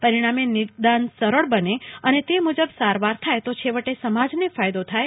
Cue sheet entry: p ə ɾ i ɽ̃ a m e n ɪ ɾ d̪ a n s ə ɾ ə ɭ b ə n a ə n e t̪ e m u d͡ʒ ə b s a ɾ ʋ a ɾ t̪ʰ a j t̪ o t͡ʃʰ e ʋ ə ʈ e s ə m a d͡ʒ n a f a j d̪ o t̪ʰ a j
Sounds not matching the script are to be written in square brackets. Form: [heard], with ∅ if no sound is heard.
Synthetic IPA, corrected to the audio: p ə ɾ i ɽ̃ a m e n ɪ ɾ d̪ a n s ə ɾ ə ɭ b ə n [e] ə n e t̪ e m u d͡ʒ ə b s a ɾ ʋ a ɾ t̪ʰ a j t̪ o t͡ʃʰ e ʋ ə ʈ e s ə m a d͡ʒ n [e] f a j d̪ o t̪ʰ a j